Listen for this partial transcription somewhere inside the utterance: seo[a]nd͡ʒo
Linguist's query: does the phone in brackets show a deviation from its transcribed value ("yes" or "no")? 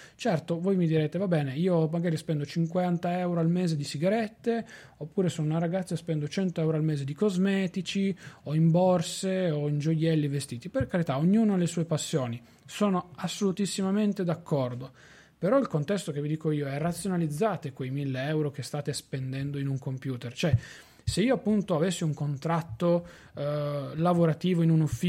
yes